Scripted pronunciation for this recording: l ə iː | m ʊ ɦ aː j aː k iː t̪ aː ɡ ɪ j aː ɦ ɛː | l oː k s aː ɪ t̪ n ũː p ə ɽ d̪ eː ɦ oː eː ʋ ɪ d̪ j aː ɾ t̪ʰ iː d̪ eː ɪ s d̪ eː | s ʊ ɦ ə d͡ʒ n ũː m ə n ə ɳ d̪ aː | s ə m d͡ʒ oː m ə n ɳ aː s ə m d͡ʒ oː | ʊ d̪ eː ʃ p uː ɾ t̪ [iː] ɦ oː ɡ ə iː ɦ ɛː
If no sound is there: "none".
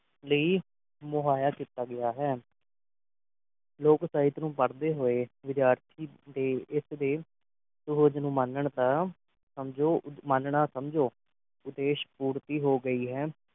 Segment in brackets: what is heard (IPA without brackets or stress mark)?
iː